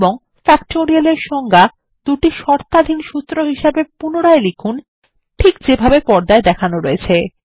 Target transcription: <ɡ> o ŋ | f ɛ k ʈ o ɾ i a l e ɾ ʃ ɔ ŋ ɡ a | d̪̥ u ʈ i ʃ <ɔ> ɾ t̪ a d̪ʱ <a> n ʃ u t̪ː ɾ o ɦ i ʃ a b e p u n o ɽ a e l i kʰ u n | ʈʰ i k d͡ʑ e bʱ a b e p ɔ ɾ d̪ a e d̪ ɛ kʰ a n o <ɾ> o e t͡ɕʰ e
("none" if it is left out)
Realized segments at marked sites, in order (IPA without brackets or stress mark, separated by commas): b, ɔ, i, ɾ